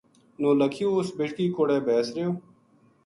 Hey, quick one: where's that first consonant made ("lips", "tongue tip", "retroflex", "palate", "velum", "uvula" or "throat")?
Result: tongue tip